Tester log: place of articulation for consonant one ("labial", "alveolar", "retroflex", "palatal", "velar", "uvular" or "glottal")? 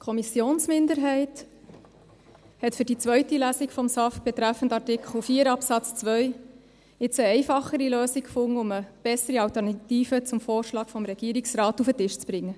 velar